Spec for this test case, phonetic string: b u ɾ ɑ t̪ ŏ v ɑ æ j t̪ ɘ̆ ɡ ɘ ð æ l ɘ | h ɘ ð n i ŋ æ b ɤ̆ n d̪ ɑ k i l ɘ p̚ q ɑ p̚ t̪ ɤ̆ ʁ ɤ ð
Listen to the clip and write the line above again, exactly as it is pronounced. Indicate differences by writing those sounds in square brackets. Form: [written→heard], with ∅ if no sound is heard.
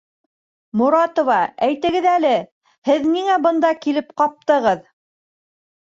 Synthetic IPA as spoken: [b→m] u ɾ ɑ t̪ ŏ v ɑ æ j t̪ ɘ̆ ɡ ɘ ð æ l ɘ | h ɘ ð n i ŋ æ b ɤ̆ n d̪ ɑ k i l ɘ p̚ q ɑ p̚ t̪ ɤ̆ ʁ ɤ ð